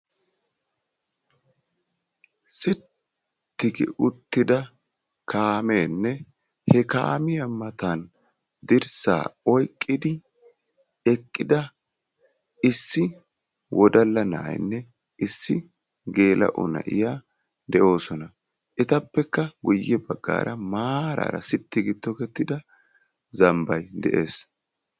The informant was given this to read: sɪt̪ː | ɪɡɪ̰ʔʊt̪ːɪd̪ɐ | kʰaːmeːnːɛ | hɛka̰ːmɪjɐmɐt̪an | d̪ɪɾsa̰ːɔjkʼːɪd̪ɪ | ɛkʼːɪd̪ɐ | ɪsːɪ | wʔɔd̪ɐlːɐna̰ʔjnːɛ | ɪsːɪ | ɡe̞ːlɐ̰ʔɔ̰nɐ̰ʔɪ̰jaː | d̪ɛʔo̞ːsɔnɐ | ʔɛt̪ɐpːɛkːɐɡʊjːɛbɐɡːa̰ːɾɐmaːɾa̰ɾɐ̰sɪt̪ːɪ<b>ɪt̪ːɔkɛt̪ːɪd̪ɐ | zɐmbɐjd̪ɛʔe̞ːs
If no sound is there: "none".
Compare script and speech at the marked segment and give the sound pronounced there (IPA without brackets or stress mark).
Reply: ɡ